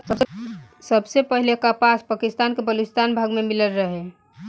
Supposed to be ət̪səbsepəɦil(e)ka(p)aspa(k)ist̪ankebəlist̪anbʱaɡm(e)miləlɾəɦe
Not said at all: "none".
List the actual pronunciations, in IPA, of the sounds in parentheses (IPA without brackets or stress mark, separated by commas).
e, p, k, e